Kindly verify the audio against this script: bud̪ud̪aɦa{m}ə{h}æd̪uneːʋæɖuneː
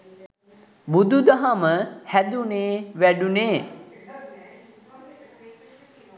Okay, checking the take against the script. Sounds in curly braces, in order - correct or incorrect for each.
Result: correct, correct

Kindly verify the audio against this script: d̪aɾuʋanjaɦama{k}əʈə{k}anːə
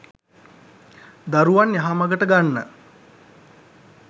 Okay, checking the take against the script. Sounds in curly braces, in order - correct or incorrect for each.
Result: incorrect, incorrect

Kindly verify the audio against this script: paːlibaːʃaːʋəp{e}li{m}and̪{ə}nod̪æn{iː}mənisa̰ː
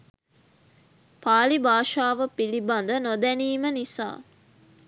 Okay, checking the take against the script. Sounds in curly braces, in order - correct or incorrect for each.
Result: incorrect, incorrect, correct, correct

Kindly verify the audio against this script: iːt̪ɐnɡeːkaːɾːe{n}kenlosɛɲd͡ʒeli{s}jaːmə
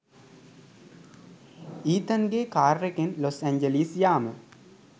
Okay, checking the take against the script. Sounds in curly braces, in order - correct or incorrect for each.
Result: incorrect, correct

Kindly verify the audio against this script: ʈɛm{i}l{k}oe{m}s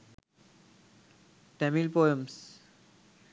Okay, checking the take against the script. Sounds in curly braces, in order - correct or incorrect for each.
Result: correct, incorrect, correct

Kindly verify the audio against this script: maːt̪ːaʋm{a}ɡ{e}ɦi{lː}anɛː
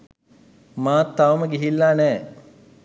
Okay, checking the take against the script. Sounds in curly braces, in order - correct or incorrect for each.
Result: incorrect, incorrect, correct

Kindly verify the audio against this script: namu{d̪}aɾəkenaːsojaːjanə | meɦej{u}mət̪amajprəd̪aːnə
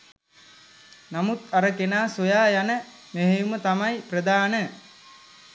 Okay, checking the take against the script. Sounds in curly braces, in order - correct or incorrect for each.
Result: incorrect, correct

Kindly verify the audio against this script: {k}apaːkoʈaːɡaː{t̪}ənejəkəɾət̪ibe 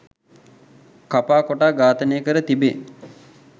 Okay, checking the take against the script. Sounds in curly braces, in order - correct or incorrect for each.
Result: correct, correct

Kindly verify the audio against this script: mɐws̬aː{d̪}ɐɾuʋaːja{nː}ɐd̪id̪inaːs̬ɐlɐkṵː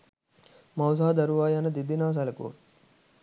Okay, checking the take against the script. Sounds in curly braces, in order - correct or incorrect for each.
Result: correct, incorrect

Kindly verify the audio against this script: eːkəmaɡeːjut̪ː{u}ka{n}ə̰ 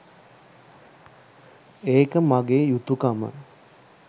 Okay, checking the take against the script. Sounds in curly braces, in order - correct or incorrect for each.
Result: correct, incorrect

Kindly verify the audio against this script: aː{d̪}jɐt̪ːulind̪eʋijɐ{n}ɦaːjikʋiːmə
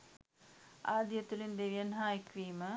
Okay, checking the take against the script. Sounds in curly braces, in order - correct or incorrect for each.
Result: correct, correct

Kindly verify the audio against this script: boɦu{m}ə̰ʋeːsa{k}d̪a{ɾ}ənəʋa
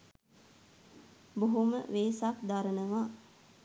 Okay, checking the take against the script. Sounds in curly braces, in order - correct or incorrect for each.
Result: correct, correct, correct

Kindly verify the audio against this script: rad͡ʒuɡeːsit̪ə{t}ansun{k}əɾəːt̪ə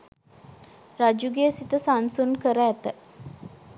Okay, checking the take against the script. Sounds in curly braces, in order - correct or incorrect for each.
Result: incorrect, correct

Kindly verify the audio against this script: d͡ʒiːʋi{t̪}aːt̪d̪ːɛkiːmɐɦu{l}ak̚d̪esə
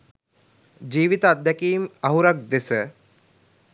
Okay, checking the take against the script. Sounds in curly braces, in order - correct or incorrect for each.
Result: correct, incorrect

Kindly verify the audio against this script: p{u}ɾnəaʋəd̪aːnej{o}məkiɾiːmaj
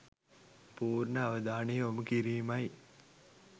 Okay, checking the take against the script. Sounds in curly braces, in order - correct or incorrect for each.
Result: incorrect, correct

